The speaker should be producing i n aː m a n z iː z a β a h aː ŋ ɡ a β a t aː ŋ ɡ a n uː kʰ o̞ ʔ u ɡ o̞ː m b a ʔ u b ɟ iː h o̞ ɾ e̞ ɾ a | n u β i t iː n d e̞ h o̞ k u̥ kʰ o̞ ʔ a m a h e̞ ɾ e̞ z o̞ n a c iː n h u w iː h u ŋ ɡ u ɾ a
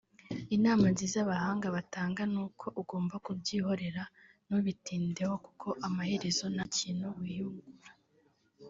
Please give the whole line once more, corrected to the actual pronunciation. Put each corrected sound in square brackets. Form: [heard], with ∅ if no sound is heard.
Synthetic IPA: i n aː m a n z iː z a β a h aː ŋ ɡ a β a t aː ŋ ɡ a n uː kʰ o̞ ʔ u ɡ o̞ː m b a [k] u b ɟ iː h o̞ ɾ e̞ ɾ a | n u β i t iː n d e̞ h o̞ k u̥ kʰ o̞ ʔ a m a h e̞ ɾ e̞ z o̞ n a c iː n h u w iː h u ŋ ɡ u ɾ a

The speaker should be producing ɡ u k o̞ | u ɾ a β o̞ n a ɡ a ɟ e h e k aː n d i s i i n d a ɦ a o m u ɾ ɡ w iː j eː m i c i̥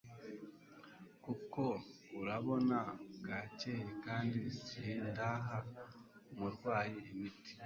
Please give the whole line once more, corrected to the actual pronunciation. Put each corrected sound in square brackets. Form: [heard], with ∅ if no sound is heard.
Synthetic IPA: [k] u k o̞ | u ɾ a β o̞ n a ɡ a [c] e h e k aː n d i s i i n d a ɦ a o m u ɾ ɡ w [aː] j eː m i [t] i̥

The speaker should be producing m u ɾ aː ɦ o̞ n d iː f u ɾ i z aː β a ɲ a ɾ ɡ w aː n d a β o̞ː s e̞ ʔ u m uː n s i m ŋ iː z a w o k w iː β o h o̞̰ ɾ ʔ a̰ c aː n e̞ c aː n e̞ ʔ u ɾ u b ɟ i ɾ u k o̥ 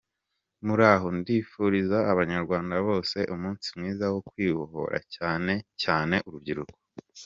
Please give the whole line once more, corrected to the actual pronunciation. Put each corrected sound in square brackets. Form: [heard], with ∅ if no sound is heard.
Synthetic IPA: m u ɾ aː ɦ o̞ n d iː f u ɾ i z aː β a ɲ a ɾ ɡ w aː n d a β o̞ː s e̞ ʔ u m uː n s i m ŋ iː z a w o k w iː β o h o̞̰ ɾ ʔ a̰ c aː n e̞ c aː n e̞ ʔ u ɾ u b ɟ i ɾ u k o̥

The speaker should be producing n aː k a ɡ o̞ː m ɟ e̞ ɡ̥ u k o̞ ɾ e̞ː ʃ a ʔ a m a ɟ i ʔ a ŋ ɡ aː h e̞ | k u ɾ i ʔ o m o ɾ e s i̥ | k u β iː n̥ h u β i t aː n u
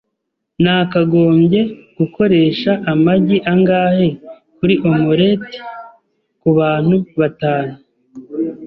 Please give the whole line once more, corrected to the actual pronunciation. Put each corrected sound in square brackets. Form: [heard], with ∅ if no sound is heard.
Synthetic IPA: n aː k a ɡ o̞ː m ɟ e̞ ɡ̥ u k o̞ ɾ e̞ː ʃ a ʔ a m a ɟ i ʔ a ŋ ɡ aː h e̞ | k u ɾ i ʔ o m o ɾ e [t] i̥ | k u β [aː] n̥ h u β [a] t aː n u

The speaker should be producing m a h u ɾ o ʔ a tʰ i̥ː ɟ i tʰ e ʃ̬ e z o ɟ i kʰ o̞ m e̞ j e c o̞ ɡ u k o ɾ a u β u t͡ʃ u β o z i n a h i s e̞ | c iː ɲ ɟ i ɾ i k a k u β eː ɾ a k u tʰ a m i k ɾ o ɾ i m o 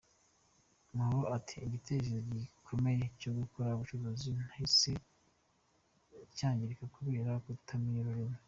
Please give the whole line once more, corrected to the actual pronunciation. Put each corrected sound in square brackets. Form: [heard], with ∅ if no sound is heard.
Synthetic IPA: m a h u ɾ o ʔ a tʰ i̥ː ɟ i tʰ e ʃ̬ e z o ɟ i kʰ o̞ m e̞ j e c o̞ ɡ u k o ɾ a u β u t͡ʃ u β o z i n a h i s e̞ | c [aː] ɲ ɟ i ɾ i k a k u β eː ɾ a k u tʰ a m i [∅] ɾ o ɾ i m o

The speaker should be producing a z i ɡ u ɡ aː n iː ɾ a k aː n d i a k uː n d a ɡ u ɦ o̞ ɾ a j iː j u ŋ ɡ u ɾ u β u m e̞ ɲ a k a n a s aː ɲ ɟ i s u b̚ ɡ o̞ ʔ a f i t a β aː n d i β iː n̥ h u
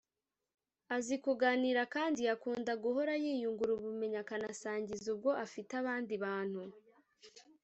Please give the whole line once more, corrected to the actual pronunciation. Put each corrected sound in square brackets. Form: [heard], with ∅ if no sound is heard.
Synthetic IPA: a z i [k] u ɡ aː n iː ɾ a k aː n d i a k uː n d a ɡ u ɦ o̞ ɾ a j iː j u ŋ ɡ u ɾ u β u m e̞ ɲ a k a n a s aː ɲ ɟ i [z] u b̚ ɡ o̞ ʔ a f i t a β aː n d i β [aː] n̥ h u

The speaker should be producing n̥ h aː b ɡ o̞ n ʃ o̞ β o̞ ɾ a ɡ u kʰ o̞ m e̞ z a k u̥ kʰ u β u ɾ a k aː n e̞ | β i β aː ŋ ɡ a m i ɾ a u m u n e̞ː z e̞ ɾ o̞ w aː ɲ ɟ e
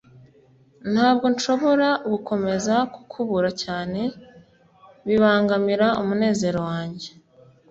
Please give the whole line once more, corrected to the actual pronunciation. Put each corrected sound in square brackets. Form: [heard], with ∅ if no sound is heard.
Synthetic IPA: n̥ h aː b ɡ o̞ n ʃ o̞ β o̞ ɾ a ɡ u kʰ o̞ m e̞ z a k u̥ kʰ u β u ɾ a [c] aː n e̞ | β i β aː ŋ ɡ a m i ɾ a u m u n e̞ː z e̞ ɾ o̞ w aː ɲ ɟ e

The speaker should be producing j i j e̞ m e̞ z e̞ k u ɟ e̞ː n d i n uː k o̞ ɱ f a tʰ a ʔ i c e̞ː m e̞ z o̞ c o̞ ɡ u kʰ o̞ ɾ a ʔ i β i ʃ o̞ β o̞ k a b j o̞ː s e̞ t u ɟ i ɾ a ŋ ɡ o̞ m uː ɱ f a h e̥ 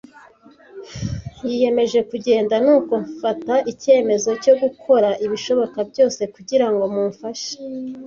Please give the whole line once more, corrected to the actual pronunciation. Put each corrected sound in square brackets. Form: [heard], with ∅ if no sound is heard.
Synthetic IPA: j i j e̞ m e̞ [ʒ] e̞ k u ɟ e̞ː n d [a] n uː k o̞ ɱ f a [t] a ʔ i c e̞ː m e̞ z o̞ c o̞ ɡ u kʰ o̞ ɾ a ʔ i β i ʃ o̞ β o̞ k a b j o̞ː s e̞ [k] u ɟ i ɾ a ŋ ɡ o̞ m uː ɱ f a [ʃ] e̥

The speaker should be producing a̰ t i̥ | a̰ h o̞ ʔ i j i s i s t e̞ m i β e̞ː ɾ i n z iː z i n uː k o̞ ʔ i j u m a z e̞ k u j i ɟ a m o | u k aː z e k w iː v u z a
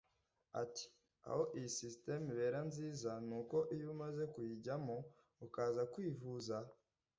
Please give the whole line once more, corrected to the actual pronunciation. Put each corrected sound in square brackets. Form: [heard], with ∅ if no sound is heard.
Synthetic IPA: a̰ t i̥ | a̰ h o̞ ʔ i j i s i s t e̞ m i β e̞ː ɾ [a] n z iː z [a] n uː k o̞ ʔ i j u m a z e̞ k u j i ɟ a m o | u k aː z [a] k w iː v u z a

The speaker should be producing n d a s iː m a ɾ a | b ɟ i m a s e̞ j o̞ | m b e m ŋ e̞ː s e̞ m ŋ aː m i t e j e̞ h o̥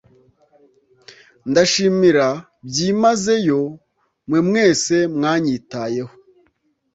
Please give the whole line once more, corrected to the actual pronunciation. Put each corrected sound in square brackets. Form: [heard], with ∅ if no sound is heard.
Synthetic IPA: n d a [ʃ] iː m [i] ɾ a | b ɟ i m a [z] e̞ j o̞ | m [w] e m ŋ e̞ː s e̞ m ŋ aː [ɲ] i t [a] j e̞ h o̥

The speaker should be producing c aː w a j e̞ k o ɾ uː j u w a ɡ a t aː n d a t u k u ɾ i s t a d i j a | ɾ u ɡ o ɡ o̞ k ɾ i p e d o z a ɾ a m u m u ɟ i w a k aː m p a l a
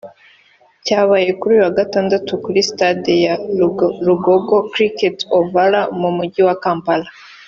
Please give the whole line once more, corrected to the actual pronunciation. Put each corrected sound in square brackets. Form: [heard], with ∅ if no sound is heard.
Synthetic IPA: c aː [β] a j e̞ k [u] ɾ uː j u w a ɡ a t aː n d a t u k u ɾ i s t a d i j a | ɾ u ɡ o ɡ o̞ k ɾ i [k] e [t] o [v] a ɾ a m u m u ɟ i w a k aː m p a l a

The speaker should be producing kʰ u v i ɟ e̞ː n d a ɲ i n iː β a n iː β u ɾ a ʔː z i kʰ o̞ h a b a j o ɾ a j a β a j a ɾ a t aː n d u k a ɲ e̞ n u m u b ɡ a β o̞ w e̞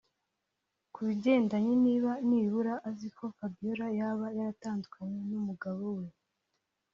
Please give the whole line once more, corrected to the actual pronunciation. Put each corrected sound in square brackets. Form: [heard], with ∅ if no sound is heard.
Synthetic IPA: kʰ u [β] i ɟ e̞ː n d a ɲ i n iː β a n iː β u ɾ a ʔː z i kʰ o̞ [f] a b [i] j o ɾ a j a β a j a ɾ a t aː n d u k a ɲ e̞ n u m u [∅] ɡ a β o̞ w e̞

